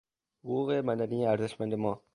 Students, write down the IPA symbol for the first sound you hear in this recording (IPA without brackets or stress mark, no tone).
h